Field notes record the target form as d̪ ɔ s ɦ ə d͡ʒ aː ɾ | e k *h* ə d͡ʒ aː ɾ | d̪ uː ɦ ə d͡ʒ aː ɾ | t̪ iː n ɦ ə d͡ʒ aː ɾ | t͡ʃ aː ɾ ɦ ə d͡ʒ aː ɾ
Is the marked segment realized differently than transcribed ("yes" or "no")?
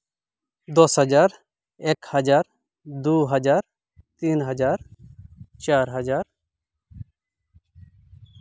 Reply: no